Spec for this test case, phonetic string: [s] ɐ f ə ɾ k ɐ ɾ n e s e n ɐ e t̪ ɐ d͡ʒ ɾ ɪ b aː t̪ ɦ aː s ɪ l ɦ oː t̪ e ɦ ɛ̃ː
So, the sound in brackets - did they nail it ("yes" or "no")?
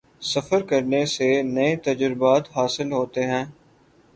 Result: yes